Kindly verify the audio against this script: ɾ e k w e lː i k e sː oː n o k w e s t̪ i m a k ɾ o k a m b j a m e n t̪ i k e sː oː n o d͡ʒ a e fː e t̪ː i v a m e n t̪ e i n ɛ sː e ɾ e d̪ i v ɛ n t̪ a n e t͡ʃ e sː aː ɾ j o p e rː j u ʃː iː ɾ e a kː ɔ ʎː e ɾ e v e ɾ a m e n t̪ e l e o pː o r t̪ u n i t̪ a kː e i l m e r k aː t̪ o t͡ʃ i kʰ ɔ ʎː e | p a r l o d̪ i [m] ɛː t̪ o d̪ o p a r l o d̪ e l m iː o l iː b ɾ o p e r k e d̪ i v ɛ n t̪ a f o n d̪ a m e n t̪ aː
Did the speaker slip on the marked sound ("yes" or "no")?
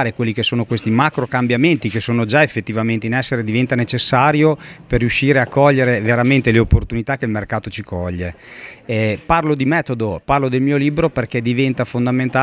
no